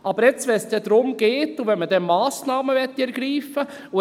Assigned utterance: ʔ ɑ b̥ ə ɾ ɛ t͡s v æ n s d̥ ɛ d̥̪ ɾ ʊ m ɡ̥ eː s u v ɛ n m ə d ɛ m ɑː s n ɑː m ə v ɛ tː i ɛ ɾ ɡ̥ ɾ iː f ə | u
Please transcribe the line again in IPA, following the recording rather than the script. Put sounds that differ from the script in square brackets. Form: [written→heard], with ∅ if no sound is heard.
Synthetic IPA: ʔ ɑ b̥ ə ɾ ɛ t͡s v [æ→ɛ] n s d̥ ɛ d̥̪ ɾ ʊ m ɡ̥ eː [s→t] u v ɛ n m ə d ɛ m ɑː s n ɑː m ə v ɛ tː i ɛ ɾ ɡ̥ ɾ iː f ə | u